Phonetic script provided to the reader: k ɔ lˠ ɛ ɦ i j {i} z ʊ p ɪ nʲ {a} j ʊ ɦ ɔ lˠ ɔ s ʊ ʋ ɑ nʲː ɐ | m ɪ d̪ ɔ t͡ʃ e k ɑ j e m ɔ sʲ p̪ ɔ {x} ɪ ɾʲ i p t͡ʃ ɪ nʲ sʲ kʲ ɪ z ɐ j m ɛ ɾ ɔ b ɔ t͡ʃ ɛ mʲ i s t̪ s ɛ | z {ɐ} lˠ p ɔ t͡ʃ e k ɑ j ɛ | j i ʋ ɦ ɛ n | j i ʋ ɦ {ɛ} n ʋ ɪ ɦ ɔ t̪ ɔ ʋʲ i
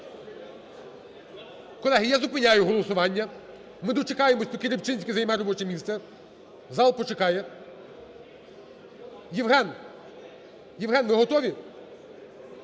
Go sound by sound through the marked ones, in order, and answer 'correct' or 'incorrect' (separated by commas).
incorrect, correct, incorrect, incorrect, correct